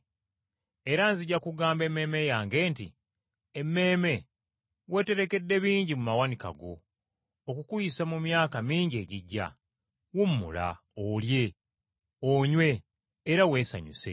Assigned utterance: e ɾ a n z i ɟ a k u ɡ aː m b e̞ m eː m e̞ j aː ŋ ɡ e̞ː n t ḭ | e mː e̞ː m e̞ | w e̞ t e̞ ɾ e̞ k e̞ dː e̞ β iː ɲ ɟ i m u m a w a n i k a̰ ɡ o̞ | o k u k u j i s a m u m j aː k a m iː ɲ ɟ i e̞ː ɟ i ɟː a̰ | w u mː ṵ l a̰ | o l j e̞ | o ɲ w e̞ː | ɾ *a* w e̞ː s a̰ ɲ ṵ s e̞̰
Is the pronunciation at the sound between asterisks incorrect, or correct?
correct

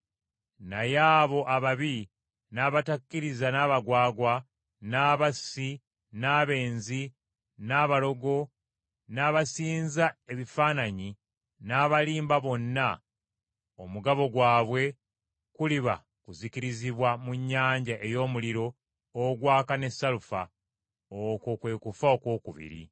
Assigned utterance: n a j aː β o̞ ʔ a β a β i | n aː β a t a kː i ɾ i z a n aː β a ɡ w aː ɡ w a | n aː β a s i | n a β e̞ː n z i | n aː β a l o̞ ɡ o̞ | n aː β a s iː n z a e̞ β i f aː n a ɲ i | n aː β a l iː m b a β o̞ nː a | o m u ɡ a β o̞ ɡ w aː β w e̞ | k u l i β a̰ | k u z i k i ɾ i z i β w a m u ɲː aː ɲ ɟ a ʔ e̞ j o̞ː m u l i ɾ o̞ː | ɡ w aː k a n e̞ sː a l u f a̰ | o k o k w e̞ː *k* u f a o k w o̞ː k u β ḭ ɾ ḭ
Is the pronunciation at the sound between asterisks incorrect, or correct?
correct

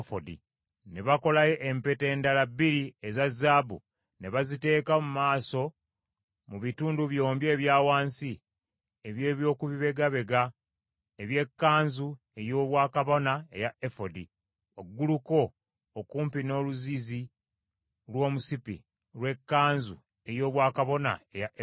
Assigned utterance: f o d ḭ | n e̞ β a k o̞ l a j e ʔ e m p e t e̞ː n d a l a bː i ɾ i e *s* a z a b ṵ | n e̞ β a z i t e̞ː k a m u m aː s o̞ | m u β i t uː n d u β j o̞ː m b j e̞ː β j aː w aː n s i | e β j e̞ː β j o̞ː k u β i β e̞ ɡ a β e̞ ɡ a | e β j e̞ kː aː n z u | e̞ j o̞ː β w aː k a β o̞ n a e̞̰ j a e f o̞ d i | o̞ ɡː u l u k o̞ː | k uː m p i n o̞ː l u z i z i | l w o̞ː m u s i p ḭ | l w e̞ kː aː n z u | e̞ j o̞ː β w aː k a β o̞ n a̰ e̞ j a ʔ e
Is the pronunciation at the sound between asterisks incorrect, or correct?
incorrect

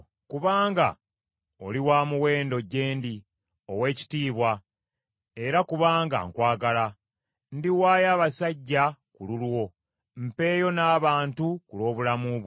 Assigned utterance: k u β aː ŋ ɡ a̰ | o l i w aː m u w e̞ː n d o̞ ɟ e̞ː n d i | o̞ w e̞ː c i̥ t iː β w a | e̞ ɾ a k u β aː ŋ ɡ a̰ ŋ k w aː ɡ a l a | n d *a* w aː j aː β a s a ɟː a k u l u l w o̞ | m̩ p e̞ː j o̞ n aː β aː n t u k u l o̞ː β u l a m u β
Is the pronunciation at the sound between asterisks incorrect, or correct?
incorrect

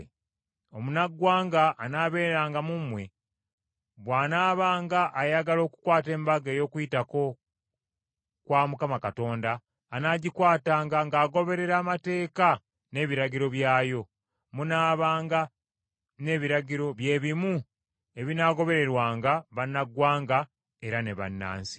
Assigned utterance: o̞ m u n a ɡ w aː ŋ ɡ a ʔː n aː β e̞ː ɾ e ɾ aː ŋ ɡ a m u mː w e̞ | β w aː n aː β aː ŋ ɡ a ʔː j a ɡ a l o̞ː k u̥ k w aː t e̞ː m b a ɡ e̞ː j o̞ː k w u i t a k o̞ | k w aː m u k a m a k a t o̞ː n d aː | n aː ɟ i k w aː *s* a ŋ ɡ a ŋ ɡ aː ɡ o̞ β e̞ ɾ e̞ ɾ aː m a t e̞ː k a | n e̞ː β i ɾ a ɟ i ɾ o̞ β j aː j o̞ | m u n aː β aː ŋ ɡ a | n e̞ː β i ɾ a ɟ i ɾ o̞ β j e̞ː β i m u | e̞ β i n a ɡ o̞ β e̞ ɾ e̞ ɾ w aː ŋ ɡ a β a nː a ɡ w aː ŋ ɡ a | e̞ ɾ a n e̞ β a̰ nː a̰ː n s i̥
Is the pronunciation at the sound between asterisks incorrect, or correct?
incorrect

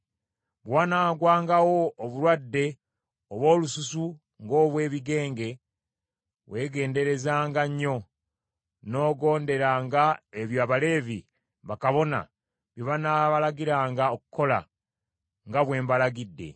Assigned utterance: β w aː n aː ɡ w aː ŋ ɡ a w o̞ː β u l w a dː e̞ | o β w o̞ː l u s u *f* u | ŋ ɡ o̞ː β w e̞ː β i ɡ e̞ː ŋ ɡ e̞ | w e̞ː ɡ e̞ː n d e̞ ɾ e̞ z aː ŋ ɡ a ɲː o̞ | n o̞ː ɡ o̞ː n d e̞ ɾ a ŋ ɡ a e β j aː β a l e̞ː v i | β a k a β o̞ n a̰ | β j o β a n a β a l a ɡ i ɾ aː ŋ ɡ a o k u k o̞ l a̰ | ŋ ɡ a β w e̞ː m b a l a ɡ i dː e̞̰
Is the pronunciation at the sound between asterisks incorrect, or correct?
incorrect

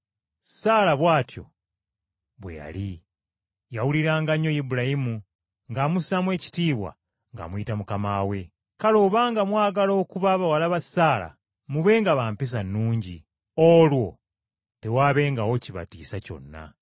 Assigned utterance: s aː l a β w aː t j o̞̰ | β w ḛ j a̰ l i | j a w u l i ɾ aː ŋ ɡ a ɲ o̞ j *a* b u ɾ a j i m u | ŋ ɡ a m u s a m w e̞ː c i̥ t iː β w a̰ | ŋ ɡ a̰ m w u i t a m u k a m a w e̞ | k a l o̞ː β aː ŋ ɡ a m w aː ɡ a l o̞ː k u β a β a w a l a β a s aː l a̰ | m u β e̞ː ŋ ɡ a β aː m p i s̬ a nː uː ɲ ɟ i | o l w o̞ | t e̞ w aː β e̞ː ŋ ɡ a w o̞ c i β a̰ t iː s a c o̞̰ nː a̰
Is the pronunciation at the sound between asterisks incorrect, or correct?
incorrect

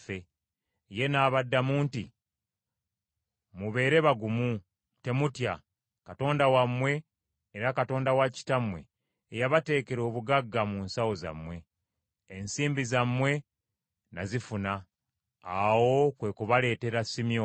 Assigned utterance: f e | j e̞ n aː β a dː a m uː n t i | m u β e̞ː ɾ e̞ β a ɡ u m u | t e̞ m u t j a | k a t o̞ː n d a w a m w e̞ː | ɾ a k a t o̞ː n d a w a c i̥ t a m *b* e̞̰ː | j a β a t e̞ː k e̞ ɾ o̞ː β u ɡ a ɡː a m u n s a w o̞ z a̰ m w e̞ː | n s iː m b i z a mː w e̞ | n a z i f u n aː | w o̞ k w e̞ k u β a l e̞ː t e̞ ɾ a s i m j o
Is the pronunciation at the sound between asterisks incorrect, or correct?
incorrect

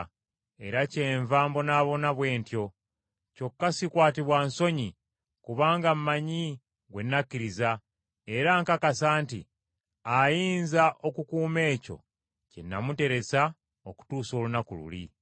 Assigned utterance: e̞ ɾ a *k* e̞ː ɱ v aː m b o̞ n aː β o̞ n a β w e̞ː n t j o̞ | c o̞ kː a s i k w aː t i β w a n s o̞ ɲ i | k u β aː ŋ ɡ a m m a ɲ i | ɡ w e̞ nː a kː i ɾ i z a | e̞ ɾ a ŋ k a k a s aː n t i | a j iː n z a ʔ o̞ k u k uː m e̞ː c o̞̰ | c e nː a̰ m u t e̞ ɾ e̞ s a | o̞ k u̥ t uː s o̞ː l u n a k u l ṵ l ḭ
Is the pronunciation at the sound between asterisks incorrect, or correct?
incorrect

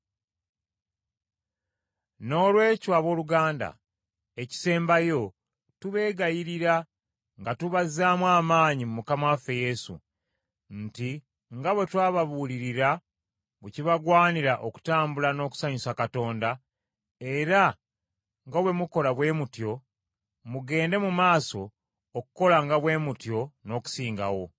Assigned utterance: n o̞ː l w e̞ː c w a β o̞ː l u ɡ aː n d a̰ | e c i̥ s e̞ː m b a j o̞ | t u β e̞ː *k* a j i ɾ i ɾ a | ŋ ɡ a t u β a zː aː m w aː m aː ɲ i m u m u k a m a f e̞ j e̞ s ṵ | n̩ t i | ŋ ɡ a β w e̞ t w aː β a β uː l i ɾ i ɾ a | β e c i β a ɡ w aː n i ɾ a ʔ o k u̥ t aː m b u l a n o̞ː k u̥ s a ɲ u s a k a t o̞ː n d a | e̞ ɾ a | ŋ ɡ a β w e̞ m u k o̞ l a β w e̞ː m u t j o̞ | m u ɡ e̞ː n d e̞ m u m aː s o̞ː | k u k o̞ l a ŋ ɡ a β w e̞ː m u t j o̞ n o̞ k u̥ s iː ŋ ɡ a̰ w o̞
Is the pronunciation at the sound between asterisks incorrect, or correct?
incorrect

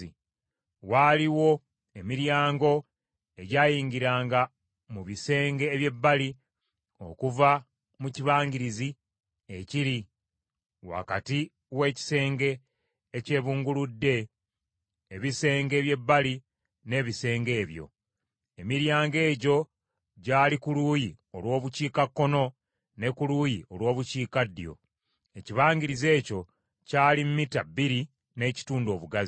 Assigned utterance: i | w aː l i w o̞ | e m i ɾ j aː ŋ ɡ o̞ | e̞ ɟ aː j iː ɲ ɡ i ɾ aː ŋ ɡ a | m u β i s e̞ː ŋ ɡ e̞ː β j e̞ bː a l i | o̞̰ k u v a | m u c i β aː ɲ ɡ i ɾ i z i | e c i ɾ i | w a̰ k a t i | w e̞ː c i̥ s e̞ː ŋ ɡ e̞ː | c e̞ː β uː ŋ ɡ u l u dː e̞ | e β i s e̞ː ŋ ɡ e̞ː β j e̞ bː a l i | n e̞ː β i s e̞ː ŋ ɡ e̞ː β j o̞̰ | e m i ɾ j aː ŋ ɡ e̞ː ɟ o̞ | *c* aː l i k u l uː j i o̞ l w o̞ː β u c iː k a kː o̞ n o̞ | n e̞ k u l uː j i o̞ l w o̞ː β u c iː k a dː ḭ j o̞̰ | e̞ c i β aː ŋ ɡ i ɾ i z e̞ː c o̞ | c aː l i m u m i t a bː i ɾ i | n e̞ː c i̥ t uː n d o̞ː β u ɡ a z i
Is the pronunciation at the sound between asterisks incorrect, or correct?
incorrect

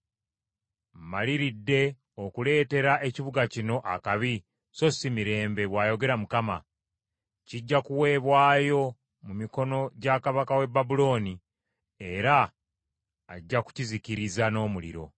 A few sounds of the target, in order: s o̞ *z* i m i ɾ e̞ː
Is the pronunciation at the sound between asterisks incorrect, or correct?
incorrect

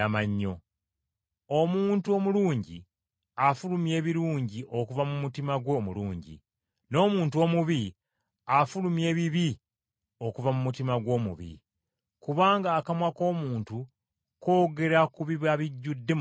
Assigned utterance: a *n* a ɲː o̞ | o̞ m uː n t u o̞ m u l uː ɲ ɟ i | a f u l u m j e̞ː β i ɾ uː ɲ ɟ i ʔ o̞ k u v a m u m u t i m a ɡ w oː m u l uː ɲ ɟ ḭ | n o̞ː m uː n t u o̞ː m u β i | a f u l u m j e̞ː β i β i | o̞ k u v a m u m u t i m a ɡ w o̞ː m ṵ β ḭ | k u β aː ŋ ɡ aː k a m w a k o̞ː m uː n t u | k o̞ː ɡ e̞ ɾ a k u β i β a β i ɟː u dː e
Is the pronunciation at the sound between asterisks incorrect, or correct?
incorrect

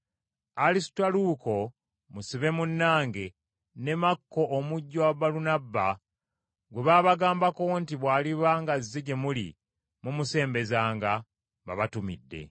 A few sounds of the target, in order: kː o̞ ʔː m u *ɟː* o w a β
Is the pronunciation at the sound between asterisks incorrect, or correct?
correct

